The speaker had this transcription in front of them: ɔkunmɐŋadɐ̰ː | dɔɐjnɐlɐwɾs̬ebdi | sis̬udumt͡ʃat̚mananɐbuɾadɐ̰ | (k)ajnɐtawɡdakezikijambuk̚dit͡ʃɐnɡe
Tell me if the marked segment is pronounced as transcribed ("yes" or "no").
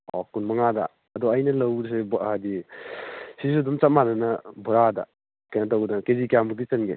yes